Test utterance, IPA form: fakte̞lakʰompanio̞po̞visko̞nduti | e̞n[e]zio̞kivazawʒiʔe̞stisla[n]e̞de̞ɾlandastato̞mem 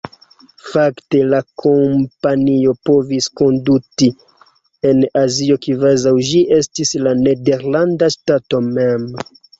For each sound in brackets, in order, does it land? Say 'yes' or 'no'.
no, yes

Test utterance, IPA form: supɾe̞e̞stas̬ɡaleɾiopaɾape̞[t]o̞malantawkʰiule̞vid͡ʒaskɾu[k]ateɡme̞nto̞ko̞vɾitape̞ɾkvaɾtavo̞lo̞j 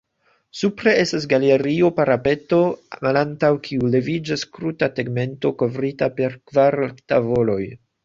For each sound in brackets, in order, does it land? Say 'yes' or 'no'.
yes, no

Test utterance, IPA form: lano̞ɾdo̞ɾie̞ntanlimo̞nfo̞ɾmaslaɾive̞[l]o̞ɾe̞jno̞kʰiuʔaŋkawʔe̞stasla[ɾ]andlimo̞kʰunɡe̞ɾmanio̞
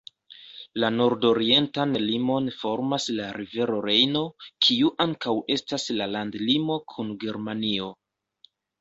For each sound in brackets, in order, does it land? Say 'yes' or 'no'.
no, no

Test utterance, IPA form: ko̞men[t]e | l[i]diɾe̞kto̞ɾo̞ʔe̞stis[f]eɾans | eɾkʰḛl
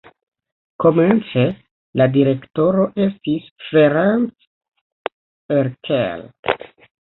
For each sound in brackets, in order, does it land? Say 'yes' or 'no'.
no, no, yes

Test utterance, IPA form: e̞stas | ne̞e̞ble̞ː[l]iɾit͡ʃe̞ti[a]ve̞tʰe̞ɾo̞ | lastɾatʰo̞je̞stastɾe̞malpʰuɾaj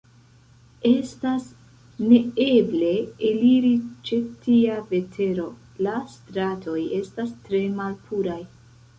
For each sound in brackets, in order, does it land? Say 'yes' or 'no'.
yes, yes

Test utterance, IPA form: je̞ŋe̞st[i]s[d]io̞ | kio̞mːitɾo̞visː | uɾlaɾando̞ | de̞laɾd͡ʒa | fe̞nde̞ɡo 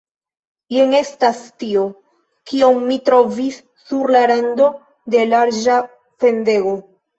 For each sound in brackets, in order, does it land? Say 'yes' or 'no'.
no, no

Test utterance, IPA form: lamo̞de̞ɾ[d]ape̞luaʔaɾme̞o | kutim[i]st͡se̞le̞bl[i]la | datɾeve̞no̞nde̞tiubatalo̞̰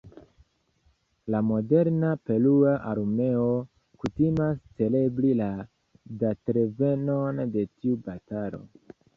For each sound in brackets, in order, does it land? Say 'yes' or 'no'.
no, no, yes

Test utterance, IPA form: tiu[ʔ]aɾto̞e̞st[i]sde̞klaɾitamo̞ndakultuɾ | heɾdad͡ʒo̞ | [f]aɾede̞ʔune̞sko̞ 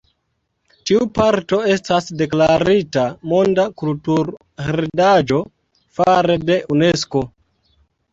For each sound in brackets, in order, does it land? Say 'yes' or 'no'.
no, no, yes

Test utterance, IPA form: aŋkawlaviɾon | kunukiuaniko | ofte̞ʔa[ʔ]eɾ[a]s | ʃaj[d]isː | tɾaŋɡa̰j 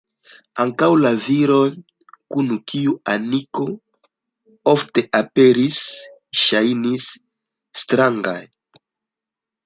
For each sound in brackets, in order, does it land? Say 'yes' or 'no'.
no, no, no

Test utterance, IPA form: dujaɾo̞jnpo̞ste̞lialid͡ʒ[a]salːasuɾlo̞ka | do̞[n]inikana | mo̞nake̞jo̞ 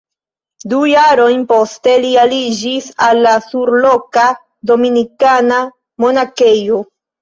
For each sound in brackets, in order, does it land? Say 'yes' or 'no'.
no, no

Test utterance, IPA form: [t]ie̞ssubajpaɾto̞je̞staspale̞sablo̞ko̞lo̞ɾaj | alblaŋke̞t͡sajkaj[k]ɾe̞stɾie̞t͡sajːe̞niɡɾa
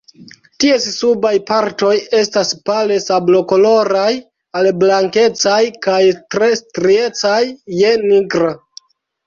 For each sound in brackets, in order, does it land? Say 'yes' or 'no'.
yes, no

